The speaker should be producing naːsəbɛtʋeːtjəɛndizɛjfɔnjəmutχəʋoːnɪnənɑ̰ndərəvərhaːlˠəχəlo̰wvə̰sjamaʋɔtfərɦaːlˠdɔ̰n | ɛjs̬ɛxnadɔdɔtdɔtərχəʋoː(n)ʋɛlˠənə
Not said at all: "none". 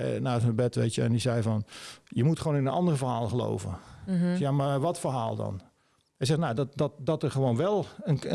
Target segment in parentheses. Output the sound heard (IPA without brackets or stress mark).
n